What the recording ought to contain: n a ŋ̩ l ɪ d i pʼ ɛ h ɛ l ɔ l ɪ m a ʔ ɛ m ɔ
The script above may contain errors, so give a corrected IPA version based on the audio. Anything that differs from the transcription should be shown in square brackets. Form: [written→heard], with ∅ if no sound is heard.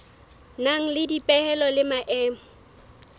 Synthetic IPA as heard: n a ŋ̩ l ɪ d i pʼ ɛ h ɛ l ɔ l ɪ m a ʔ [ɛ→ɛː] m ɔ